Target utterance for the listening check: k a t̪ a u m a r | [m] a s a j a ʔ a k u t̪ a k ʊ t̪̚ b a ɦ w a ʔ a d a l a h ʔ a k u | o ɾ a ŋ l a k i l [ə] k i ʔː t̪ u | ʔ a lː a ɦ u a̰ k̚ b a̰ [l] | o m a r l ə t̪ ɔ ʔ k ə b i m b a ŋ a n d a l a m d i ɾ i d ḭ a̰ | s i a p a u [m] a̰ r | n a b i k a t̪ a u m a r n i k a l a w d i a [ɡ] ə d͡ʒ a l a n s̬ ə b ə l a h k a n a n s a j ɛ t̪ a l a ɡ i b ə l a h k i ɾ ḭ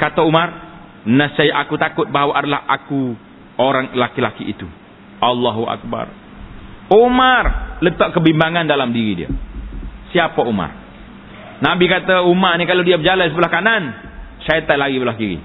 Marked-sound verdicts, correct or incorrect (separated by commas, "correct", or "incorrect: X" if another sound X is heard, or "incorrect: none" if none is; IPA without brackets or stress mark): incorrect: n, incorrect: a, incorrect: r, correct, incorrect: b